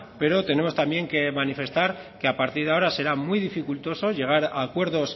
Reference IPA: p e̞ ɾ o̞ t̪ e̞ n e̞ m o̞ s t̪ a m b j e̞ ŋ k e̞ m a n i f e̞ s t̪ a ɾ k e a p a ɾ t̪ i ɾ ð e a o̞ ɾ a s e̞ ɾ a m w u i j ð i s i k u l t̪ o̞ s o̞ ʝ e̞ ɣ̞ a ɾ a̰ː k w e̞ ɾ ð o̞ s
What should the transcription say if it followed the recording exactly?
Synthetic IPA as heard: p e̞ ɾ o̞ t̪ e̞ n e̞ m o̞ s t̪ a m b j e̞ ŋ k e̞ m a n i f e̞ s t̪ a ɾ k e a p a ɾ t̪ i ɾ ð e a o̞ ɾ a s e̞ ɾ a m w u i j ð i f i k u l t̪ o̞ s o̞ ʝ e̞ ɣ̞ a ɾ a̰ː k w e̞ ɾ ð o̞ s